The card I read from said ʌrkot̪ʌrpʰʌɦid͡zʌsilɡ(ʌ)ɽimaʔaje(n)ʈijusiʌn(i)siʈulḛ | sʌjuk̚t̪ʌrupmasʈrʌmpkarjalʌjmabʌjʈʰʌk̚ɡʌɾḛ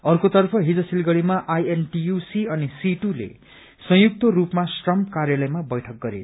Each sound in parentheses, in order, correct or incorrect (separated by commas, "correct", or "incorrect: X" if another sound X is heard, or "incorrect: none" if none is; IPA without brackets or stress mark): correct, correct, correct